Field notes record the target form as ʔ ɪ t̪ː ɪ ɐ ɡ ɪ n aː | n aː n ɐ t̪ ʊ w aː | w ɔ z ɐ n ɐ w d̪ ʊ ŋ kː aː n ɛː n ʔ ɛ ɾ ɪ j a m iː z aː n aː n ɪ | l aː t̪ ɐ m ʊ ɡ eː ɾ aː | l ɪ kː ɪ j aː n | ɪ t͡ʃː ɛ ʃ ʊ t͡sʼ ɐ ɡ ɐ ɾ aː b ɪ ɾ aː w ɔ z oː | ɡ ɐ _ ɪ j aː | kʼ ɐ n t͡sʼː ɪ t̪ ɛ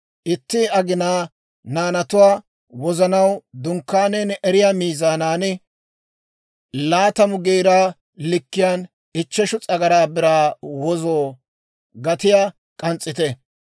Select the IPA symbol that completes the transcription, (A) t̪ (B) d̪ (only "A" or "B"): A